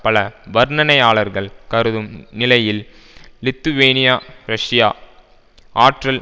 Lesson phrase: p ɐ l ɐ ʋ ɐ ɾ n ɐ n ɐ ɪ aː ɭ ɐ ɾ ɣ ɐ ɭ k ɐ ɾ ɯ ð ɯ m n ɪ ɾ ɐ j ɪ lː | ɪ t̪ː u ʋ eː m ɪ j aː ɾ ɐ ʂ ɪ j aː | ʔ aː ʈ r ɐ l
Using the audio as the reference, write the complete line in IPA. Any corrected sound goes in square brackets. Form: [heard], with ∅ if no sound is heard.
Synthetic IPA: p ɐ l ɐ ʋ ɐ ɾ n ɐ n ɐ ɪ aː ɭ ɐ ɾ ɣ ɐ ɭ k ɐ ɾ ɯ ð ɯ m n ɪ [l] ɐ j ɪ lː | ɪ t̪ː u ʋ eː [n] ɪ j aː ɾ ɐ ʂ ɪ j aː | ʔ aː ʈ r ɐ l

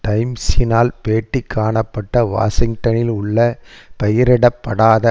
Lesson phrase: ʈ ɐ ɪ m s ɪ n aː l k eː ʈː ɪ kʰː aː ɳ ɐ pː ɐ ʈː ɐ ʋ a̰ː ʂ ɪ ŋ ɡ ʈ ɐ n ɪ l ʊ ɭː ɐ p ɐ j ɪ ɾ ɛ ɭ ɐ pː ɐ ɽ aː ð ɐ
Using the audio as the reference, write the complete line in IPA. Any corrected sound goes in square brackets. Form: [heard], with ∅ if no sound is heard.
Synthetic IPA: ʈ ɐ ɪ m s ɪ n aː l [p] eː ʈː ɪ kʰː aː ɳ ɐ pː ɐ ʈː ɐ ʋ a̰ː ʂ ɪ ŋ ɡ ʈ ɐ n ɪ l ʊ ɭː ɐ p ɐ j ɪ ɾ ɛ [ɽ] ɐ pː ɐ ɽ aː ð ɐ

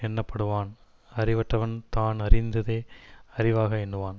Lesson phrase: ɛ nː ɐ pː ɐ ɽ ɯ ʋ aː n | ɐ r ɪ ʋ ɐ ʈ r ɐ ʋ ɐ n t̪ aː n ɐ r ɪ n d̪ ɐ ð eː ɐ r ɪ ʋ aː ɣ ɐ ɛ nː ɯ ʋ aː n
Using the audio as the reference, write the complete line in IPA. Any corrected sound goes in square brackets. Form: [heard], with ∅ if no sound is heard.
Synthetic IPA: ɛ nː ɐ pː ɐ ɽ ɯ ʋ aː n | ɐ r ɪ ʋ ɐ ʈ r ɐ ʋ ɐ n t̪ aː n ɐ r ɪ n d̪ ɐ ð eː ɐ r ɪ ʋ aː ɣ ɐ ɛ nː ɯ ʋ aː n

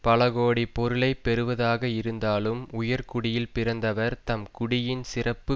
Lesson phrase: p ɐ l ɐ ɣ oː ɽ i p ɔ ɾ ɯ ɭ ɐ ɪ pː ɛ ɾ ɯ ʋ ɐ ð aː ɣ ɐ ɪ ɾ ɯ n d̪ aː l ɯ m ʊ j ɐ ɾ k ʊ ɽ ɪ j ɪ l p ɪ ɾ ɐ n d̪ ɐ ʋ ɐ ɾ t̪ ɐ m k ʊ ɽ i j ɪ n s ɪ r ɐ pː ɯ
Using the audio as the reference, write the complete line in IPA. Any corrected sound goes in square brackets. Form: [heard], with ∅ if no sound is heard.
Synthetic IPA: p ɐ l ɐ ɣ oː ɽ i p ɔ ɾ ɯ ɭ ɐ ɪ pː ɛ ɾ ɯ ʋ ɐ ð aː ɣ ɐ ɪ ɾ ɯ n d̪ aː l ɯ m ʊ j ɐ ɾ k ʊ ɽ ɪ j ɪ l p ɪ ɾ ɐ n d̪ ɐ ʋ ɐ ɾ t̪ ɐ m k ʊ ɽ [ɪ] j ɪ n s ɪ r ɐ pː ɯ

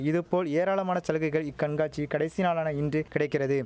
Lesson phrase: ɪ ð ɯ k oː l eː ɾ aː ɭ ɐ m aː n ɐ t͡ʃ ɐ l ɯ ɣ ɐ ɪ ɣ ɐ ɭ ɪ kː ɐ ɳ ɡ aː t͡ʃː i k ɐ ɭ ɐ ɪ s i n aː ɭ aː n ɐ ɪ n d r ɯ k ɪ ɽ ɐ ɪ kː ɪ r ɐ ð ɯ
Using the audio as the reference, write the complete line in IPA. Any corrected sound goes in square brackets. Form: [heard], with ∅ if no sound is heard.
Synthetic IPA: ɪ ð ɯ [p] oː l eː ɾ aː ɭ ɐ m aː n ɐ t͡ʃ ɐ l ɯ ɣ ɐ ɪ ɣ ɐ ɭ ɪ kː ɐ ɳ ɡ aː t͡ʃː i k ɐ [ɽ] ɐ ɪ s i n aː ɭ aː n ɐ ɪ n d r ɯ k ɪ ɽ ɐ ɪ kː ɪ r ɐ ð ɯ

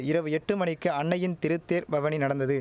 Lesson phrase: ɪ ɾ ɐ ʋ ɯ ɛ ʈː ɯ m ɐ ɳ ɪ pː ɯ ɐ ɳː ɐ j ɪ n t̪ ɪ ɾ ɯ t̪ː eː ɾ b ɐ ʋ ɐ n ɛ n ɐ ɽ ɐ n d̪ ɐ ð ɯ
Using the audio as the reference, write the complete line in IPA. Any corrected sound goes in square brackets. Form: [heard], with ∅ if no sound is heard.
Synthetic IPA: ɪ ɾ ɐ ʋ ɯ ɛ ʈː ɯ m ɐ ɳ ɪ [kː] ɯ ɐ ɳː ɐ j ɪ n t̪ ɪ ɾ ɯ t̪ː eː ɾ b ɐ ʋ ɐ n [i] n ɐ ɽ ɐ n d̪ ɐ ð ɯ

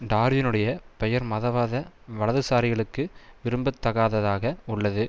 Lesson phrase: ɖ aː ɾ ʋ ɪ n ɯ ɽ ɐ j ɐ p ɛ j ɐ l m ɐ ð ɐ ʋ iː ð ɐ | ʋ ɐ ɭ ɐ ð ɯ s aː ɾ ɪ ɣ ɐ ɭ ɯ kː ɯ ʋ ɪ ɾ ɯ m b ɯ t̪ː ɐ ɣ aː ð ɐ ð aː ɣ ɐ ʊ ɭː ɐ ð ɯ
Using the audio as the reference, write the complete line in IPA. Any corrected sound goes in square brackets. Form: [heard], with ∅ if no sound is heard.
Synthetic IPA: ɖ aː ɾ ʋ ɪ n ɯ ɽ ɐ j ɐ p ɛ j ɐ [ɾ] m ɐ ð ɐ ʋ [aː] ð ɐ | ʋ ɐ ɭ ɐ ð ɯ s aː ɾ ɪ ɣ ɐ ɭ ɯ kː ɯ ʋ ɪ ɾ ɯ m b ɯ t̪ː ɐ ɣ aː ð ɐ ð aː ɣ ɐ ʊ ɭː ɐ ð ɯ

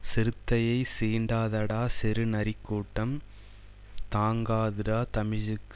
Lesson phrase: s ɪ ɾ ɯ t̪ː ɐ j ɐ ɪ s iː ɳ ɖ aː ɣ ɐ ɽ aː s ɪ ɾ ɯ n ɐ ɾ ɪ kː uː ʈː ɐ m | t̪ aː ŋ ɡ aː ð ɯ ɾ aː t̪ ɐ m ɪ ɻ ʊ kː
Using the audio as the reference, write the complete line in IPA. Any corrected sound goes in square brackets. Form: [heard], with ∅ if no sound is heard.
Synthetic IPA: s ɪ ɾ ɯ t̪ː ɐ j ɐ ɪ s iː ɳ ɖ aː [ð] ɐ ɽ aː s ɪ ɾ ɯ n ɐ ɾ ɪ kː uː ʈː ɐ m | t̪ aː ŋ ɡ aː ð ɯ ɾ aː t̪ ɐ m ɪ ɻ [ɯ] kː

